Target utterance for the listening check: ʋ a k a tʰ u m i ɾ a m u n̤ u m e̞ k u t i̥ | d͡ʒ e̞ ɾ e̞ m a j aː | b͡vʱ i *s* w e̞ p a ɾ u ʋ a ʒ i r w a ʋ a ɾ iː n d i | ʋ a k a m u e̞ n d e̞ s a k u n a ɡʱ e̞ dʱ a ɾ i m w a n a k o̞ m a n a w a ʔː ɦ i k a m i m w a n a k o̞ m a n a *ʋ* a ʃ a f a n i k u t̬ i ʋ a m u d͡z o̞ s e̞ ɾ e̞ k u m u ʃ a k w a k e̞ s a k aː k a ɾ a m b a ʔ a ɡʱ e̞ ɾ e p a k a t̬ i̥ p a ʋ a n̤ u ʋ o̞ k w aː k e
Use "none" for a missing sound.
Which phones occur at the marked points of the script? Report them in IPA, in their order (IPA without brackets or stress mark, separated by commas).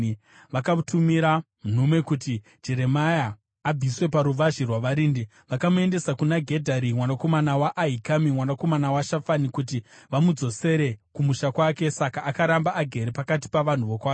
s, w